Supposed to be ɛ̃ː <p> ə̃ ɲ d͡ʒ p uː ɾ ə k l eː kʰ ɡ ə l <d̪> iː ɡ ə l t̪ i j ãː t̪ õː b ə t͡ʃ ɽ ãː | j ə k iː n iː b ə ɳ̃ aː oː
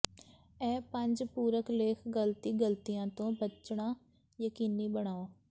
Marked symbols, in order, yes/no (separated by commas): yes, no